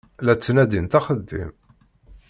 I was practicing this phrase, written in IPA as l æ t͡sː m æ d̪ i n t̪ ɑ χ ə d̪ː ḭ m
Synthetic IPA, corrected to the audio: l æ t͡sː n æ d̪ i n t̪ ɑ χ ə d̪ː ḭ m